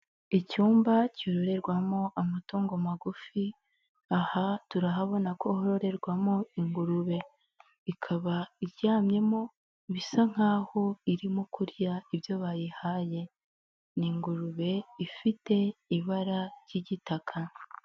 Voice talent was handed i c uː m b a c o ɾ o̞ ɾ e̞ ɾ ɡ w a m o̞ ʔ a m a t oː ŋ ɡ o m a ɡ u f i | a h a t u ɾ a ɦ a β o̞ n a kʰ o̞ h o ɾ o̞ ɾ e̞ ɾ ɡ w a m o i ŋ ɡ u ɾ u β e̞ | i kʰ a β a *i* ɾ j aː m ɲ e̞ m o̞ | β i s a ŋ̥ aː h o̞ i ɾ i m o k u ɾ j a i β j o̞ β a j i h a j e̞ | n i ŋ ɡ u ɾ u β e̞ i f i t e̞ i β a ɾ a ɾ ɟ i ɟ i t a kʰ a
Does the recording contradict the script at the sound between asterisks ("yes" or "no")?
no